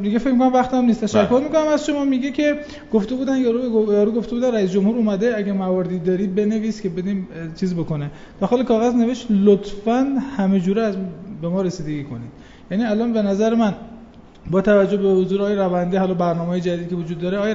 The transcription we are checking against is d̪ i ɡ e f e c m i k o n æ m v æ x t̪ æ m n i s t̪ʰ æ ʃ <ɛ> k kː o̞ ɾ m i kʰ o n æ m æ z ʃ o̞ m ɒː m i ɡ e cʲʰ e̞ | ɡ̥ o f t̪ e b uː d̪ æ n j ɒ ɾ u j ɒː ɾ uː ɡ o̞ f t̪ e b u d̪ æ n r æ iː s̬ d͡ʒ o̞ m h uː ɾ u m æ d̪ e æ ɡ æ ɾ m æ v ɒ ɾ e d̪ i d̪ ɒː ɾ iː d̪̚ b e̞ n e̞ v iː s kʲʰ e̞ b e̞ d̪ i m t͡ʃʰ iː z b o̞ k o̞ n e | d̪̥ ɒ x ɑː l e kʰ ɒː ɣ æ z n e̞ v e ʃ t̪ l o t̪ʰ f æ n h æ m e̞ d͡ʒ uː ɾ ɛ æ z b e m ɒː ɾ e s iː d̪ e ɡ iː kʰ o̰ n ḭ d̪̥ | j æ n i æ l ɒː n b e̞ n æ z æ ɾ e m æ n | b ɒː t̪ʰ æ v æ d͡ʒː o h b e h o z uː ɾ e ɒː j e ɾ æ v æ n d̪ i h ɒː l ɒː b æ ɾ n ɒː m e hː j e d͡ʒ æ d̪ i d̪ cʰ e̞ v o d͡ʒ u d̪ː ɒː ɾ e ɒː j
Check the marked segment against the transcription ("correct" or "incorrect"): incorrect